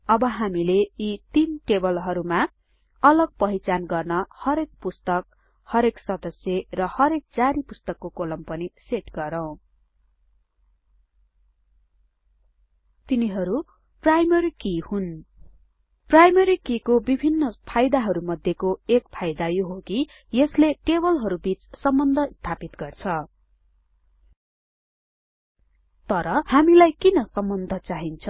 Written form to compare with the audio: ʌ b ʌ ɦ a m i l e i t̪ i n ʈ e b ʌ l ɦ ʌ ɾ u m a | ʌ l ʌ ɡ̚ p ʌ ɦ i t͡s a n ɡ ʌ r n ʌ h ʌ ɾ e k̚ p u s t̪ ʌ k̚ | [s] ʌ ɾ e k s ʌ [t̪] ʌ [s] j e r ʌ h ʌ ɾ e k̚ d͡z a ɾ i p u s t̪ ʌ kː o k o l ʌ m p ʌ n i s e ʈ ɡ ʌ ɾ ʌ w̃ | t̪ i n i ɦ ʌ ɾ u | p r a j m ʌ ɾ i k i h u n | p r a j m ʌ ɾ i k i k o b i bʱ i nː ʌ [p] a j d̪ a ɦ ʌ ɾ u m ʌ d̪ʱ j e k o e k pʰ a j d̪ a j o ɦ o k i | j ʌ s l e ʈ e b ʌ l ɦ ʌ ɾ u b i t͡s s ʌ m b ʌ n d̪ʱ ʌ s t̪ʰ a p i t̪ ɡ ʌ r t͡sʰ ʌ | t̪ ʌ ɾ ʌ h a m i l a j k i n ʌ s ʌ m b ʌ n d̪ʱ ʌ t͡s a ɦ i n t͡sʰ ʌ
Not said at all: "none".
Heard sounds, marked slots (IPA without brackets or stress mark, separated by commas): h, d̪, s, pʰ